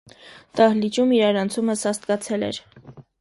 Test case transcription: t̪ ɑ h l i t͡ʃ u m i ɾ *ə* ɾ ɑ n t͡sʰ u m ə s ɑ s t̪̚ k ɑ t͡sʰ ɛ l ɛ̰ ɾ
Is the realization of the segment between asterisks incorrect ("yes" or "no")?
yes